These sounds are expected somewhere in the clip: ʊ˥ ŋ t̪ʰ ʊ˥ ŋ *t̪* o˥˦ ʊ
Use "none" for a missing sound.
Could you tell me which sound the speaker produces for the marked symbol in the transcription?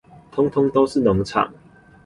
t̪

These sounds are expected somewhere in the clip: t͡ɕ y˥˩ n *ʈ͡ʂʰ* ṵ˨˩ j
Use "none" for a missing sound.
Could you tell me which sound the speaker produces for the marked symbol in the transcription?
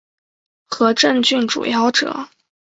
ʈ͡ʂ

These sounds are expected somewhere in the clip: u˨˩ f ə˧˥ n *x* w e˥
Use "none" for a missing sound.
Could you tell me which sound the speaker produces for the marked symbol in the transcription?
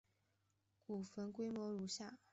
k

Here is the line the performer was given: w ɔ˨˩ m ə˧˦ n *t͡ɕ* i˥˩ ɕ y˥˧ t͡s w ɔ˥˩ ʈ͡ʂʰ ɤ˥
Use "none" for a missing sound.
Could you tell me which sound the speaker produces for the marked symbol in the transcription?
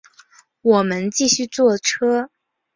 t͡ɕ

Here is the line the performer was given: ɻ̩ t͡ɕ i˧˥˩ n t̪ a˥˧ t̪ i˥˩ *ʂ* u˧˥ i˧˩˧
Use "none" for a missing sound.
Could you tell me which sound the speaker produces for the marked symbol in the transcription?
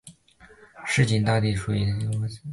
ʂ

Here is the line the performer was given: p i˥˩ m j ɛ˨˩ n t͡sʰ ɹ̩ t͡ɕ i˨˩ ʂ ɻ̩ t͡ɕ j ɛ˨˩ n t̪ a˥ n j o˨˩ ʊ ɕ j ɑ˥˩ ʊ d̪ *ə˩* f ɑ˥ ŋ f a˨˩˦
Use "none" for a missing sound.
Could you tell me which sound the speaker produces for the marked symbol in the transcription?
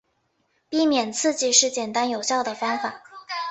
ə˩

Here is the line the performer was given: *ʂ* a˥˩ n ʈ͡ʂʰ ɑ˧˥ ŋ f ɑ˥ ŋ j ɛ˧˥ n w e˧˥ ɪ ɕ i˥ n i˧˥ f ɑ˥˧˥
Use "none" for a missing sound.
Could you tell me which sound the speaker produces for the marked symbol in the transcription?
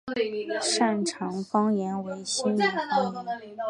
ʂ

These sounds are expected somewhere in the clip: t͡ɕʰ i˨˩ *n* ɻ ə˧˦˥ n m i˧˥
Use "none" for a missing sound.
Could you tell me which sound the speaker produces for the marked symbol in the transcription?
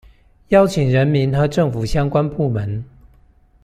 ŋ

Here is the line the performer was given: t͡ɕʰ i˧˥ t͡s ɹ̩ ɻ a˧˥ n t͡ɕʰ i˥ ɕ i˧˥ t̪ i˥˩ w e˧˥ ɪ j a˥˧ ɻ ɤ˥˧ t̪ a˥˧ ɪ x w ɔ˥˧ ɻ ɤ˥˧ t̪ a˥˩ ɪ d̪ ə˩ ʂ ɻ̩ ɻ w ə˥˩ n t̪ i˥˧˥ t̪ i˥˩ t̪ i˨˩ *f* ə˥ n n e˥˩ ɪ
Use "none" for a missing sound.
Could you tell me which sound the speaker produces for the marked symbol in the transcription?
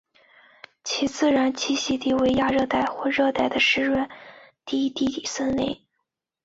s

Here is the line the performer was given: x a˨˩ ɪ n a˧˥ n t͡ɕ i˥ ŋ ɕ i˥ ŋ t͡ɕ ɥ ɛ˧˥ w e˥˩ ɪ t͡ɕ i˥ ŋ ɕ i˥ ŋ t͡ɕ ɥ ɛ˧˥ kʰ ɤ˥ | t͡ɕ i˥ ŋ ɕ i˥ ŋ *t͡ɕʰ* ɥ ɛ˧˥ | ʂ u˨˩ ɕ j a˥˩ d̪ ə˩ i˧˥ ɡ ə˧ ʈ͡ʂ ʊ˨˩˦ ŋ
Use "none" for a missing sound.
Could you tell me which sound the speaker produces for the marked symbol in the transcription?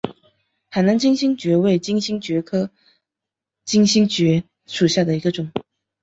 t͡ɕ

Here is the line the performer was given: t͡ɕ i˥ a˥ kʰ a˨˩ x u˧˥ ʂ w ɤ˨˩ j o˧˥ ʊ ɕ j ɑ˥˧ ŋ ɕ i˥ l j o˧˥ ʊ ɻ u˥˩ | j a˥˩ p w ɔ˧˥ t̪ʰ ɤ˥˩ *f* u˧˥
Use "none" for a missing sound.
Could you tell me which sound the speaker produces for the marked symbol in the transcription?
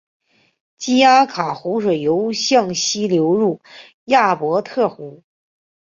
x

